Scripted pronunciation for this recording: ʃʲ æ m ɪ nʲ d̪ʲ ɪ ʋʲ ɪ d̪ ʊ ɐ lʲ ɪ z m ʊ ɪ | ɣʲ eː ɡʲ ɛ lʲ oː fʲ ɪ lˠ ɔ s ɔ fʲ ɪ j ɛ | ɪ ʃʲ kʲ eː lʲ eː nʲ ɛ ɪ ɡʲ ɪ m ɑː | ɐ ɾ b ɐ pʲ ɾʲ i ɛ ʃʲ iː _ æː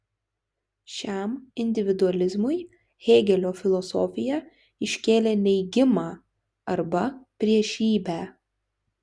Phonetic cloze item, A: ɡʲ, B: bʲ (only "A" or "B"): B